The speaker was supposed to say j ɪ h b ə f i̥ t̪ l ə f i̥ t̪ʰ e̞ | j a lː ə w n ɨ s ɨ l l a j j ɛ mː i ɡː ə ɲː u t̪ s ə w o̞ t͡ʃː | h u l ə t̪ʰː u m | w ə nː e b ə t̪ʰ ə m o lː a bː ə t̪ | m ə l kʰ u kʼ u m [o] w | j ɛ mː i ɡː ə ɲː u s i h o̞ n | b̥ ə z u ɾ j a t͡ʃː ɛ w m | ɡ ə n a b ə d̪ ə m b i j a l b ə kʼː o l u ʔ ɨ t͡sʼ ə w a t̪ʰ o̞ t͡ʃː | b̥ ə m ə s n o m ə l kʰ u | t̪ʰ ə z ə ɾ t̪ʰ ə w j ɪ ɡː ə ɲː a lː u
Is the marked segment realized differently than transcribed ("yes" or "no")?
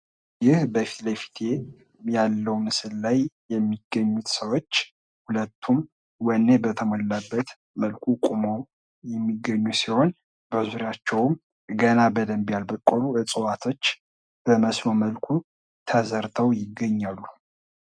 no